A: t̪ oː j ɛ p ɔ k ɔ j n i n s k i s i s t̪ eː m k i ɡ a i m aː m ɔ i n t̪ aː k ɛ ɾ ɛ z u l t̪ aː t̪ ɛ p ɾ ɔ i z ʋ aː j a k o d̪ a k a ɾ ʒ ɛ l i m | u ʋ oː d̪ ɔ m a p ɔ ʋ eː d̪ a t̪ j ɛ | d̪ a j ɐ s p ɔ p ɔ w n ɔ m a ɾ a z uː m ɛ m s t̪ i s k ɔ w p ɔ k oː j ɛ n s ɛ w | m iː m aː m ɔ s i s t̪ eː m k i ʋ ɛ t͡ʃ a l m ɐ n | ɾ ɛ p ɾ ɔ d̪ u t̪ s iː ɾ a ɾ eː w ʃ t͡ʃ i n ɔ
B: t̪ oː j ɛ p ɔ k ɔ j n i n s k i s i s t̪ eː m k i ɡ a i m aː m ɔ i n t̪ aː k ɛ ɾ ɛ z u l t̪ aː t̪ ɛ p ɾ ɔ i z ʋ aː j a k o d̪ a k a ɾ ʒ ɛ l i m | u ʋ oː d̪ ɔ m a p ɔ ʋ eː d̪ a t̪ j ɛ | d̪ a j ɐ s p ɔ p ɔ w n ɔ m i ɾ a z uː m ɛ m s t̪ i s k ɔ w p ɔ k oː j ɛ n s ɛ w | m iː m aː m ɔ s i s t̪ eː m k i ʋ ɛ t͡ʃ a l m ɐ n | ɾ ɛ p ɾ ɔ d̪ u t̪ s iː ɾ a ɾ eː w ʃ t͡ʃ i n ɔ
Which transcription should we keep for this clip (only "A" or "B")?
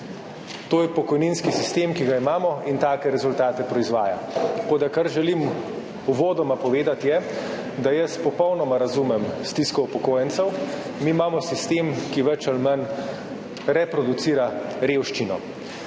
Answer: A